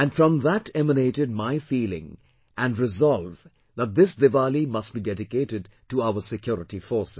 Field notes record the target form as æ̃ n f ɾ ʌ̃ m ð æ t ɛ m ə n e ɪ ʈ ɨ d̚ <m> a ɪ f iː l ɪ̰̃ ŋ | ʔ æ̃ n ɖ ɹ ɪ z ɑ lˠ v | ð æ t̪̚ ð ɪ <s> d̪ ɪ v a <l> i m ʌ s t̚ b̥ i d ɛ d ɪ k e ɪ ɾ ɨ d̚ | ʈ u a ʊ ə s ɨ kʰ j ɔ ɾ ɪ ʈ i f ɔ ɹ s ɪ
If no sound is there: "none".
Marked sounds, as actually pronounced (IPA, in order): m, s, l

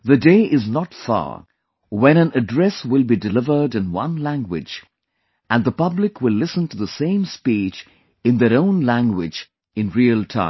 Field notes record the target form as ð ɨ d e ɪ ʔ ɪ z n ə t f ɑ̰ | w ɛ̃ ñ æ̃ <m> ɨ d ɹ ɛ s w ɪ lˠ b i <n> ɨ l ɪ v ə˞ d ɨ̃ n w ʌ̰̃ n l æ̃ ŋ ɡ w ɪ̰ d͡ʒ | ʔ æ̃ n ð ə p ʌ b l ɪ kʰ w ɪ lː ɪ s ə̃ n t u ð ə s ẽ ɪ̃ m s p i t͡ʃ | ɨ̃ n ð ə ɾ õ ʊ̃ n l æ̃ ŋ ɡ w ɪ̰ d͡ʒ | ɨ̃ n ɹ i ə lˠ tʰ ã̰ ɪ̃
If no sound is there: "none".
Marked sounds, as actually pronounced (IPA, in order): n, d

